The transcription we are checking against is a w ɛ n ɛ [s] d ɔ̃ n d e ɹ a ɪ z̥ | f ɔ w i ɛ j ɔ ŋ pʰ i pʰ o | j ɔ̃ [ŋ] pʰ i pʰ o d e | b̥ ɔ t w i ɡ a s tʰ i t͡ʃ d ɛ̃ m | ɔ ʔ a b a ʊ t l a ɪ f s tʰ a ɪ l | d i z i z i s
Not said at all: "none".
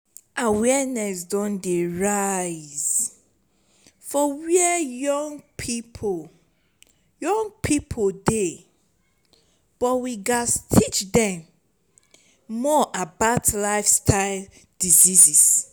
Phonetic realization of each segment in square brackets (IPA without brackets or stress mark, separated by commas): s, ŋ